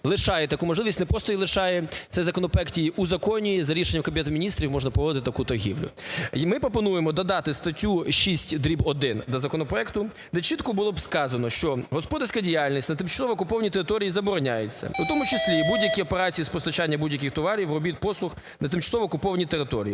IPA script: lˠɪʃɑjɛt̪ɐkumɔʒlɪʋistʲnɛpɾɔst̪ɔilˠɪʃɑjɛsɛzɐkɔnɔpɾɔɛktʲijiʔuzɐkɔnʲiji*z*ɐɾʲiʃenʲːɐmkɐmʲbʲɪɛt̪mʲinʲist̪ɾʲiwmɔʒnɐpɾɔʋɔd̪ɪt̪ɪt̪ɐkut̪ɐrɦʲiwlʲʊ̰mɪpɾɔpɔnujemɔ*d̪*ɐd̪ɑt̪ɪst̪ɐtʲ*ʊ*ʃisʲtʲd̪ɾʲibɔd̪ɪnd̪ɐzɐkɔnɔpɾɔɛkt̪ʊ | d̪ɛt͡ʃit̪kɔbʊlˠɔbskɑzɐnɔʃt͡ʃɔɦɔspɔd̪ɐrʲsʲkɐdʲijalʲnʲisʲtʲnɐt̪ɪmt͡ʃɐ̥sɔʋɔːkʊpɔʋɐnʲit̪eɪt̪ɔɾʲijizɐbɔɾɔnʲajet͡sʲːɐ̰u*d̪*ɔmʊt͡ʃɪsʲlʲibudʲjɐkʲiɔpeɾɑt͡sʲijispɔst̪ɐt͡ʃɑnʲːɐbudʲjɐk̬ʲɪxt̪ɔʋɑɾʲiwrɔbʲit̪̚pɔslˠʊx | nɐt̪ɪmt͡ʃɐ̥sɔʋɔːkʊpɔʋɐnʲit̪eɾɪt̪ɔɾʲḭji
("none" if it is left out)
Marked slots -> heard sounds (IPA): z, d̪, u, t̪

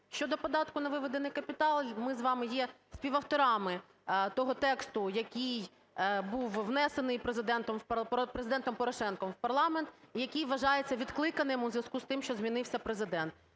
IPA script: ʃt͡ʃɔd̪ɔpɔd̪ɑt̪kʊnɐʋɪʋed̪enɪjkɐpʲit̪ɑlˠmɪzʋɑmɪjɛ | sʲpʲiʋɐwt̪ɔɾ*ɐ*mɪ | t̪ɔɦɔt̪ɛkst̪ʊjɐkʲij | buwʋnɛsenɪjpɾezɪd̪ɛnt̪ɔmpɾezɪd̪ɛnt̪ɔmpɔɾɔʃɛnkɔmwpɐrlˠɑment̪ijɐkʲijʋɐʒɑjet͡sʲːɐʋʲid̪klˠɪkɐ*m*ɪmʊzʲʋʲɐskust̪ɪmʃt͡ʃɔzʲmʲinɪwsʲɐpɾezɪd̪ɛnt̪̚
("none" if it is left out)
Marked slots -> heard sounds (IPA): ɑ, n

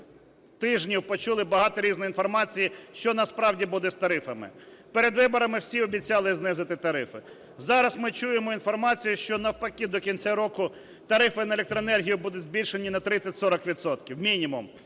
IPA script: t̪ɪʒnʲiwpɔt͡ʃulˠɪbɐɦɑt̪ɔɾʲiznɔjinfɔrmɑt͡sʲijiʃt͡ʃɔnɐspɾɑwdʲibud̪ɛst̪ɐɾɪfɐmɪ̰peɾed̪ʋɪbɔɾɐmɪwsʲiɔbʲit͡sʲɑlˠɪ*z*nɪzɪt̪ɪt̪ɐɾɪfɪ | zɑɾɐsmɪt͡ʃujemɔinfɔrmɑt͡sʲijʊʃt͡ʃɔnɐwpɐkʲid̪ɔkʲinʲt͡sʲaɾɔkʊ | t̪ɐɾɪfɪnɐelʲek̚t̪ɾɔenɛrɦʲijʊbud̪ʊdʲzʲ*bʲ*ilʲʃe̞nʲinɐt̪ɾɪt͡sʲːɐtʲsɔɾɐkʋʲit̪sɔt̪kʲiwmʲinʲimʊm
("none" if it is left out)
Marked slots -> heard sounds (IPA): z, bʲ

